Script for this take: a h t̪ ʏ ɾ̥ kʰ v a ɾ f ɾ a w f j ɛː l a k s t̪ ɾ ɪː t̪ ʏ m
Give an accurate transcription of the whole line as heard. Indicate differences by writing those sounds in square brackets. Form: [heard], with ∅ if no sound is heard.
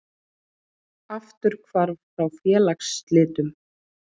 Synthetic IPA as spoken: a [f] t̪ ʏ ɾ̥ kʰ v a ɾ f ɾ a w f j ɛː l a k s t̪ [l] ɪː t̪ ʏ m